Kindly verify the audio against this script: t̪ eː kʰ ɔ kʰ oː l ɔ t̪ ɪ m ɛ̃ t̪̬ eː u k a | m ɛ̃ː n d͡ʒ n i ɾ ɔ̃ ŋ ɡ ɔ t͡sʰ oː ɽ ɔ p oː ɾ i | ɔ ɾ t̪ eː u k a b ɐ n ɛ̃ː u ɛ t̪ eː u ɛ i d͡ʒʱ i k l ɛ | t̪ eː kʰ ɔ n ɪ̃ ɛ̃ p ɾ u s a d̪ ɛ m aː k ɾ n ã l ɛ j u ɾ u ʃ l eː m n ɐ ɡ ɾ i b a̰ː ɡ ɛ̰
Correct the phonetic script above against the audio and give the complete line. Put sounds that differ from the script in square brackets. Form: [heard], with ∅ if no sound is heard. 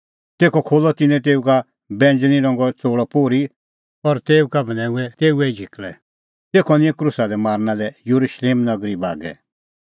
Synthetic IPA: t̪ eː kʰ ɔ kʰ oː l ɔ t̪ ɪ [n] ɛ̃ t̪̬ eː u k a | [b] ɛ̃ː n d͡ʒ n i ɾ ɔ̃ ŋ ɡ ɔ [t͡s] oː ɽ ɔ p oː ɾ i | ɔ ɾ t̪ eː u k a b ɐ n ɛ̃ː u ɛ t̪ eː u ɛ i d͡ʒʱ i k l ɛ | t̪ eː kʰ ɔ n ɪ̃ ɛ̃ [k] ɾ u s a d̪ ɛ m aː [∅] ɾ n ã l ɛ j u ɾ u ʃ l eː m n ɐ ɡ ɾ i b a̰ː ɡ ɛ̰